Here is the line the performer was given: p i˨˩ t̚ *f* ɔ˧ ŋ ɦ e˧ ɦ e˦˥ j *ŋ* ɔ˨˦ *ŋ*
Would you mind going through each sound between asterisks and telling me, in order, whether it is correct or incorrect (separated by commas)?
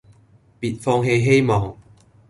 correct, incorrect, correct